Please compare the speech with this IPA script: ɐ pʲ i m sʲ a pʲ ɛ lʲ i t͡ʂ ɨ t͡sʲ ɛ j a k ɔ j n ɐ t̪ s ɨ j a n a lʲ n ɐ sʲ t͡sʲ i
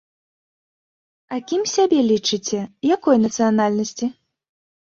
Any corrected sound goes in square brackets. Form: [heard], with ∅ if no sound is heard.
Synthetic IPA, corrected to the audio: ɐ [kʲ] i m sʲ a [bʲ] ɛ lʲ i t͡ʂ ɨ t͡sʲ ɛ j a k ɔ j n ɐ t̪ s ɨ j a n a lʲ n ɐ sʲ t͡sʲ i

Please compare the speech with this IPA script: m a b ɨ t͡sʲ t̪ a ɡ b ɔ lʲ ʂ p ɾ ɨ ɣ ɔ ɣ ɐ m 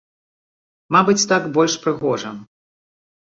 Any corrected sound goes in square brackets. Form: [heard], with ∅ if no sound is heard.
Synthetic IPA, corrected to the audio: m a b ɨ t͡sʲ t̪ a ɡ b ɔ lʲ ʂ p ɾ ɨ ɣ ɔ [ʐ] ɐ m

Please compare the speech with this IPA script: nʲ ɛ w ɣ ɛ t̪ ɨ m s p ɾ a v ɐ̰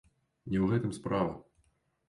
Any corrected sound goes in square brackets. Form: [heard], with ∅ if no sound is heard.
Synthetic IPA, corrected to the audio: nʲ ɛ w ɣ ɛ t̪ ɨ m s p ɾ a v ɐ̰

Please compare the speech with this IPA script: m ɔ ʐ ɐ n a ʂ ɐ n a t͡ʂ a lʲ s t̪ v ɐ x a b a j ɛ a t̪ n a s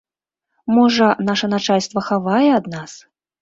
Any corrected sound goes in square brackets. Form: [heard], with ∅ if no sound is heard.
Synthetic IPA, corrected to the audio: m ɔ ʐ ɐ n a ʂ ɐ n a t͡ʂ a lʲ s t̪ v ɐ x a [v] a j ɛ a [d̪] n a s

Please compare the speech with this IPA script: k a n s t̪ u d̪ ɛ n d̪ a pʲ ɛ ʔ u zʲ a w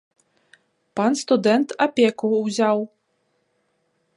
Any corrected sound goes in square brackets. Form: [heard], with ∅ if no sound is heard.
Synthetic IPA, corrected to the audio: [p] a n s t̪ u d̪ ɛ n [t̪] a pʲ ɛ [k] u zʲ a w

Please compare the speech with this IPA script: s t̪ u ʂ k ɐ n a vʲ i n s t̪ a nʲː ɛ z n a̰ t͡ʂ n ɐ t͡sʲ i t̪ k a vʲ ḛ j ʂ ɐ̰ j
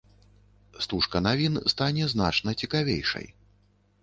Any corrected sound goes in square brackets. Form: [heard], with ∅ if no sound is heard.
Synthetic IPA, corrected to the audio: s t̪ u ʂ k ɐ n a vʲ i n s t̪ a [nʲ] ɛ z n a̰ t͡ʂ n ɐ t͡sʲ i [∅] k a vʲ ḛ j ʂ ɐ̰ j

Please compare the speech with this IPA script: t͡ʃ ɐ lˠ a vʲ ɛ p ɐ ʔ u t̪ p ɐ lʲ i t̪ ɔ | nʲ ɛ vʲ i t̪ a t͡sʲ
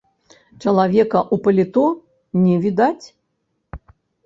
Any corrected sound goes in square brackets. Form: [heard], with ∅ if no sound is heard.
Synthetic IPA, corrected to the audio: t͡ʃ ɐ lˠ a vʲ ɛ [k] ɐ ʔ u [∅] p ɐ lʲ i t̪ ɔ | nʲ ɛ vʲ i [d̪] a t͡sʲ

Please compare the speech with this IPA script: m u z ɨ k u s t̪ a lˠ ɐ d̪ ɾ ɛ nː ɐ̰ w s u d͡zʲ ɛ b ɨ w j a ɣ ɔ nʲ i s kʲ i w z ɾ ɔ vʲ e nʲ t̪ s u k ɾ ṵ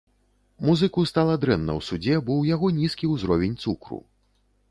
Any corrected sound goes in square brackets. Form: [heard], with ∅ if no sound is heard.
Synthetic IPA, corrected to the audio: m u z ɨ k u s t̪ a lˠ ɐ d̪ ɾ ɛ nː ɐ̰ w s u d͡zʲ ɛ b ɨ w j a ɣ ɔ nʲ i s kʲ i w z ɾ ɔ vʲ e nʲ t̪ s u k ɾ ṵ

